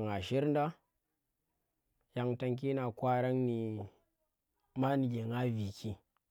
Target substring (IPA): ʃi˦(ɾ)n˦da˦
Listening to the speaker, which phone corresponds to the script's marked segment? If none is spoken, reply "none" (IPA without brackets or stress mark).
ɾ